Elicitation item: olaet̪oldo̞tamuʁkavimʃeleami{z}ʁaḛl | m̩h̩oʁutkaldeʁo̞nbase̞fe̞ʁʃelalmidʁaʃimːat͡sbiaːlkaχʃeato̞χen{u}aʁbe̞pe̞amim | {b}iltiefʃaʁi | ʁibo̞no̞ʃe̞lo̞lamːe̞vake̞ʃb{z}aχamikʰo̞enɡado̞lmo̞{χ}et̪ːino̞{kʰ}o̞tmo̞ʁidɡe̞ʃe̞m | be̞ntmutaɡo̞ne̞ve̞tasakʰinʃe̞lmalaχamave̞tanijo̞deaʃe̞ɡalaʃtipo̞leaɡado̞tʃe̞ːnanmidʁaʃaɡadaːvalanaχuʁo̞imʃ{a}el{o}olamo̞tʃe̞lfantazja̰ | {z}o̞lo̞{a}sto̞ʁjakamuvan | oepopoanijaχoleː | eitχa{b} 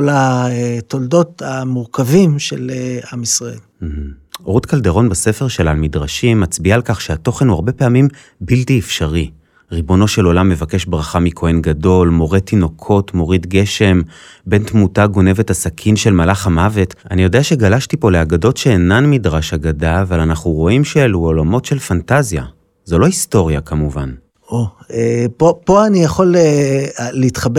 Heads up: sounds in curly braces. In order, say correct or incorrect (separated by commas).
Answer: incorrect, correct, correct, incorrect, incorrect, correct, incorrect, incorrect, correct, incorrect, correct